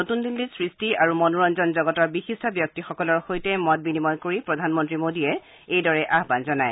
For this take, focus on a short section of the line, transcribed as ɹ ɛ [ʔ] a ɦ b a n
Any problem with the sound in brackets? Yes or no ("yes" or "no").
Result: no